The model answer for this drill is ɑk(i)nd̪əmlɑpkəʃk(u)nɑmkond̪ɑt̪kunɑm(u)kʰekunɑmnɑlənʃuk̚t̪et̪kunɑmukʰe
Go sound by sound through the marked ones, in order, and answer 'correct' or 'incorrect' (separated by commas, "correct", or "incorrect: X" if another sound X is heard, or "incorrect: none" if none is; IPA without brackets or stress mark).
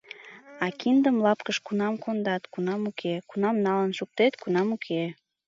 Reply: correct, correct, correct